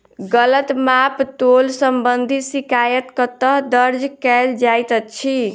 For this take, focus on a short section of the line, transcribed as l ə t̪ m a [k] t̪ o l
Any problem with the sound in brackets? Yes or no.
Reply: yes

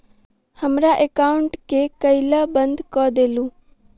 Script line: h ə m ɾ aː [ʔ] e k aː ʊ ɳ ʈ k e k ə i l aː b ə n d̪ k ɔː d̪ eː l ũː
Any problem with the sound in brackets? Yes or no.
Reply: no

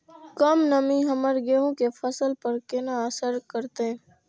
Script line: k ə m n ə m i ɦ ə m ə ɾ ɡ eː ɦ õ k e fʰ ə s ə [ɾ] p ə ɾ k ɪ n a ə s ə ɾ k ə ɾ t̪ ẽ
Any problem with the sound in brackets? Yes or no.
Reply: yes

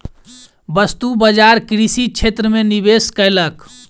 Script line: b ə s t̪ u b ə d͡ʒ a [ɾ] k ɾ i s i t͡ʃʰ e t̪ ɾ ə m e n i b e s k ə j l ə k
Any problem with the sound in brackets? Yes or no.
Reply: no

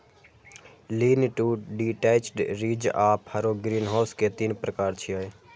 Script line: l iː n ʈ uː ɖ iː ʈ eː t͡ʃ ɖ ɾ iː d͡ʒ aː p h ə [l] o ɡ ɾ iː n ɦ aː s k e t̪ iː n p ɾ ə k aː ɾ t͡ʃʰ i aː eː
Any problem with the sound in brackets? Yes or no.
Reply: yes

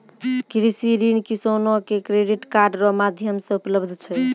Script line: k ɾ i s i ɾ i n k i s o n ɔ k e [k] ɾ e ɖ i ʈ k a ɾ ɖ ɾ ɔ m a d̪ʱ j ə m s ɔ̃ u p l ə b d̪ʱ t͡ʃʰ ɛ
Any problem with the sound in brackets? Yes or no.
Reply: no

